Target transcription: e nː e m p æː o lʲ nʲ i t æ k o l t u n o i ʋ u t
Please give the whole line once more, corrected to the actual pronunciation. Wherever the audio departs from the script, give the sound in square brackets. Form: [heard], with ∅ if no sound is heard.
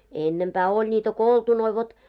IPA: e nː e m p æː o lʲ nʲ i t æ k o l t u n o i ʋ [o] t